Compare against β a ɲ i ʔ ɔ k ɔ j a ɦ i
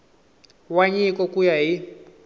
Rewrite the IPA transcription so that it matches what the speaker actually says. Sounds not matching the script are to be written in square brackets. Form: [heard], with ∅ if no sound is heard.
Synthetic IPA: [w] a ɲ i [k] ɔ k [u] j a ɦ i